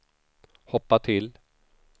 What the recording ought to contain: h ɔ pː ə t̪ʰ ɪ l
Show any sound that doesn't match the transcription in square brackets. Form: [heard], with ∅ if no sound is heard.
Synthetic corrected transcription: h ɔ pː [a] t̪ʰ ɪ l